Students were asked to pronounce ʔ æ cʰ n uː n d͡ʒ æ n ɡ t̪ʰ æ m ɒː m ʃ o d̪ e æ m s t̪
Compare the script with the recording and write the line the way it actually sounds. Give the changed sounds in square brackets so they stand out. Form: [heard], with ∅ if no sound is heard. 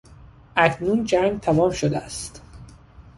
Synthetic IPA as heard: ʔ æ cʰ n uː n d͡ʒ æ [ŋ] ɡ t̪ʰ æ m ɒː m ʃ o d̪ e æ [∅] s t̪